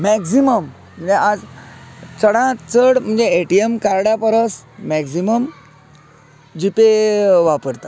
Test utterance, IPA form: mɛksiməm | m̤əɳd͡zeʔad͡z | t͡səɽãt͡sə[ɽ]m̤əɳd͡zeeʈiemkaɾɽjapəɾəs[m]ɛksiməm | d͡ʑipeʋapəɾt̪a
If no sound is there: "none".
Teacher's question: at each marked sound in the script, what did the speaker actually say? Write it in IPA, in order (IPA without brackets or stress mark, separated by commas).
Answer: ɽ, m